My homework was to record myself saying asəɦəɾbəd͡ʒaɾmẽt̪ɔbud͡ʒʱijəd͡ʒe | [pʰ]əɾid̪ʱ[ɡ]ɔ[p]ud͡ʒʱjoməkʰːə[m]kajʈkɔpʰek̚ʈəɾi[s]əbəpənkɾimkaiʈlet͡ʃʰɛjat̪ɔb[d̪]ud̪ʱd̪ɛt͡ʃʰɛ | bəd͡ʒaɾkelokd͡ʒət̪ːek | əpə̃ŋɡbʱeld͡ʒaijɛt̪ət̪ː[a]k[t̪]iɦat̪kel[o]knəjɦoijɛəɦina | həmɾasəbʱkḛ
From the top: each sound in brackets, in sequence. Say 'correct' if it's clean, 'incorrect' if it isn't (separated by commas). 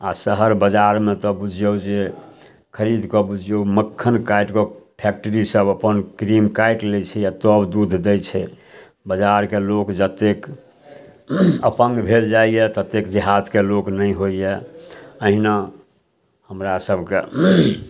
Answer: incorrect, incorrect, incorrect, incorrect, correct, correct, incorrect, incorrect, correct